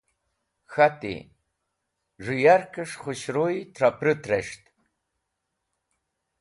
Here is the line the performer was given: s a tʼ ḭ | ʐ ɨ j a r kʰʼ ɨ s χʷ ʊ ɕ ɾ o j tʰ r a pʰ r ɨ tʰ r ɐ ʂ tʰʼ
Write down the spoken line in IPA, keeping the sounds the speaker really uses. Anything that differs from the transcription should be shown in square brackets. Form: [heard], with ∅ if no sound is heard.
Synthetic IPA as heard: [x] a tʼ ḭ | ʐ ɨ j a r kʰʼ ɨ [ʂ] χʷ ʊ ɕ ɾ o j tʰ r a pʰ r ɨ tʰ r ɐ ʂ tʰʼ